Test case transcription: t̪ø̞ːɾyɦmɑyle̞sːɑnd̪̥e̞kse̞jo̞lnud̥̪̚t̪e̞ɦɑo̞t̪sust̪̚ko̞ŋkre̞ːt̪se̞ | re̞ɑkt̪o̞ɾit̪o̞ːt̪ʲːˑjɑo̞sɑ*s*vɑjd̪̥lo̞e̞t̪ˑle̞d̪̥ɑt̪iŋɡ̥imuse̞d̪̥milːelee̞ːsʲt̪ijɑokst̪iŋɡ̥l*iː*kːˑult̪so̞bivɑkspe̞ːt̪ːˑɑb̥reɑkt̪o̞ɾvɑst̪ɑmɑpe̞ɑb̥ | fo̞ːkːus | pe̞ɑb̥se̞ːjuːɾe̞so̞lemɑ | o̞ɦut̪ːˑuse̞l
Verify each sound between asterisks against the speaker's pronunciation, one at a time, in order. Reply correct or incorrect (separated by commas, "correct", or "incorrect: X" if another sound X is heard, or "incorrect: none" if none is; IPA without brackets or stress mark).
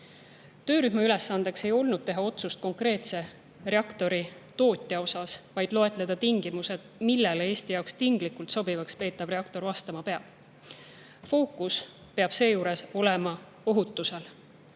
correct, incorrect: i